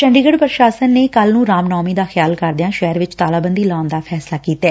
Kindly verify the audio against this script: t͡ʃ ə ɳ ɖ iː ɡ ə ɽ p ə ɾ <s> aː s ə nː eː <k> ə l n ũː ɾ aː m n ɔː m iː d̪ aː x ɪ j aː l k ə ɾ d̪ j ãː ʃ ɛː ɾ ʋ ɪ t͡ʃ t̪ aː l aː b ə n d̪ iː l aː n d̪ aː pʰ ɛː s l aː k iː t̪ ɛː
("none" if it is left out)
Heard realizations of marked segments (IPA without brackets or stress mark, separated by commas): ʃ, k